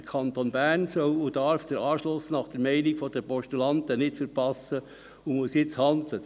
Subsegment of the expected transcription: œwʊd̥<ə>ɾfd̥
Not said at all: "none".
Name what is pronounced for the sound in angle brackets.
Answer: ɑ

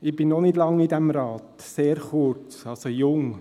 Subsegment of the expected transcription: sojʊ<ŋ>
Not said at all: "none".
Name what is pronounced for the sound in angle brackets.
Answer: ŋ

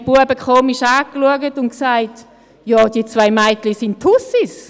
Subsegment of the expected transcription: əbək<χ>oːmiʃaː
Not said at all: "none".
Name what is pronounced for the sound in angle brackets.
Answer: χ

